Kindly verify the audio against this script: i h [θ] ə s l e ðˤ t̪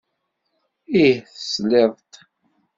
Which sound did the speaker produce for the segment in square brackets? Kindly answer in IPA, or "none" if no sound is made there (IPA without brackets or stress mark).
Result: θ